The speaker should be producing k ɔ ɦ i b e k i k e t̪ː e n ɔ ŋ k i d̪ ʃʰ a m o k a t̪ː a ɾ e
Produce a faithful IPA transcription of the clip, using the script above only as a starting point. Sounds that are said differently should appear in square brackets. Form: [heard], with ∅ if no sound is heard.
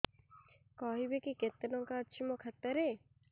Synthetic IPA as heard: k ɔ ɦ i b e k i k e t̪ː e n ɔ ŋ k [a] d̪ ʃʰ [i] m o [kʰ] a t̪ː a ɾ e